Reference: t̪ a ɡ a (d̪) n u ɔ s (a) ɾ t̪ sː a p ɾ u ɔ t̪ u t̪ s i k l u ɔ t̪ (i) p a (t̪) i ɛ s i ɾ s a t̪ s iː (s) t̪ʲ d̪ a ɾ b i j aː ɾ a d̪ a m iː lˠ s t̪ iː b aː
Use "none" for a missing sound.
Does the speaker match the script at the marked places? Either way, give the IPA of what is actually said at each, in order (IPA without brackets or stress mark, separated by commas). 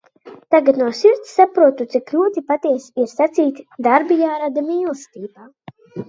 t̪, i, i, t̪, none